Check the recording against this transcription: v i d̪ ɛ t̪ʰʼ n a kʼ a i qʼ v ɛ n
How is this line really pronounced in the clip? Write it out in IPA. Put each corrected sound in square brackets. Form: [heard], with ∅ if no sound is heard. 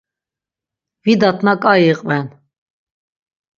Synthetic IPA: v i d̪ [a] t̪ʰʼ n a kʼ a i qʼ v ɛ n